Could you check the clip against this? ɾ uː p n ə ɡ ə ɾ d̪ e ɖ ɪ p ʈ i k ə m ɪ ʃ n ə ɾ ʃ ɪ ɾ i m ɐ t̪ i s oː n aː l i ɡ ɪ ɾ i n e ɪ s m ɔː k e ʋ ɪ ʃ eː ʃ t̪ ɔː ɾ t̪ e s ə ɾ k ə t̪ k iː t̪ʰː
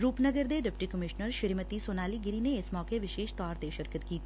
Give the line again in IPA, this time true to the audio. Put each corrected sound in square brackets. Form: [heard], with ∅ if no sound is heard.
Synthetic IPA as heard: ɾ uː p n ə ɡ ə ɾ d̪ e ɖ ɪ p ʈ i k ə m ɪ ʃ n ə ɾ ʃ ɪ ɾ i m [ə] t̪ i s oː n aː l i ɡ ɪ ɾ i n e ɪ s m ɔː k e ʋ ɪ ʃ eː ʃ t̪ ɔː ɾ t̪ e [ʃ] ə ɾ k ə t̪ k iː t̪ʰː

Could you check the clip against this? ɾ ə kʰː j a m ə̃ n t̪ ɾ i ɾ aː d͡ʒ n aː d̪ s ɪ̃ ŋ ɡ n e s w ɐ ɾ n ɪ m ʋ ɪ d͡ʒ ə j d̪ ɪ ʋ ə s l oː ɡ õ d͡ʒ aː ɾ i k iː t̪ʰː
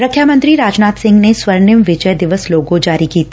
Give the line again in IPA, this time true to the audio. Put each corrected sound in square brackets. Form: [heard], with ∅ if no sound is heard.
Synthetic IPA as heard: ɾ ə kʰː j a m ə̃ n t̪ ɾ i ɾ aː d͡ʒ n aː [t̪] s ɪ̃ ŋ ɡ n e s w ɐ ɾ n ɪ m ʋ ɪ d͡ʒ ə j d̪ ɪ ʋ ə s l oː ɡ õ d͡ʒ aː ɾ i k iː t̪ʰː

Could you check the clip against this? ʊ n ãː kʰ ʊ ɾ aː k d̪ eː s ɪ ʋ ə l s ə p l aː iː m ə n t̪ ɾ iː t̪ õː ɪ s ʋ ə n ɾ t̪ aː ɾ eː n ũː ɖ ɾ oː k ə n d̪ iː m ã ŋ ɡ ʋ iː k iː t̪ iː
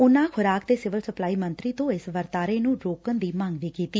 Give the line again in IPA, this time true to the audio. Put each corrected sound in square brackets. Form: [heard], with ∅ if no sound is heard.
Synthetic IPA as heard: ʊ n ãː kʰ ʊ ɾ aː k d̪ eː s ɪ ʋ ə l s ə p l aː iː m ə n t̪ ɾ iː t̪ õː ɪ s ʋ ə [∅] ɾ t̪ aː ɾ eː n ũː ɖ ɾ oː k ə n d̪ iː m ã ŋ ɡ ʋ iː k iː t̪ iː

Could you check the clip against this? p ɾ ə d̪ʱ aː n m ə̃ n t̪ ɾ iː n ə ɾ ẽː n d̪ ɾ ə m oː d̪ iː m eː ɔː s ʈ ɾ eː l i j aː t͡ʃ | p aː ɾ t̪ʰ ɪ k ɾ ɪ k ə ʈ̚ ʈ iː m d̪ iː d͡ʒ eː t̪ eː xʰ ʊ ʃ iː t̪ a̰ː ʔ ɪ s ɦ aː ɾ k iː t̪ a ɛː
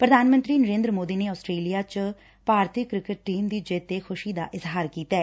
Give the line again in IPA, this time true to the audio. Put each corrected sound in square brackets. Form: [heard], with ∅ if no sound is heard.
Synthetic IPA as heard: p ɾ ə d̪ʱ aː n m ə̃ n t̪ ɾ iː n ə ɾ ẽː n d̪ ɾ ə m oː d̪ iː [n] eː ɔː s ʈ ɾ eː l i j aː t͡ʃ | p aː ɾ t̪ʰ ɪ k ɾ ɪ k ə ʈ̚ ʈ iː m d̪ iː d͡ʒ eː t̪ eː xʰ ʊ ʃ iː [d̪] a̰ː ʔ ɪ [z] ɦ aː ɾ k iː t̪ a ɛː

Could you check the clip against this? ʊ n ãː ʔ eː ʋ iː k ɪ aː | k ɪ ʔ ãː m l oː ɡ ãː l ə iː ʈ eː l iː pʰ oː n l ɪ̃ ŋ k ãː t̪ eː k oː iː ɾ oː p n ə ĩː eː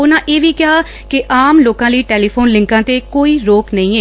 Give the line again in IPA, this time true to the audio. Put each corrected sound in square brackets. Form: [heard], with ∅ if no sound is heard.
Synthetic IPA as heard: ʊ n ãː ʔ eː ʋ iː k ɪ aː | k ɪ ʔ [aː] m l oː [k] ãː l ə iː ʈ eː l iː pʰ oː n l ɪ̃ ŋ k ãː t̪ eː k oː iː ɾ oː [k] n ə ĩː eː

